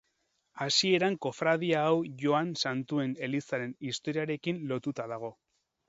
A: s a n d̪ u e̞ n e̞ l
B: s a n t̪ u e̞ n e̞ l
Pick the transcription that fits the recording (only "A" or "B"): B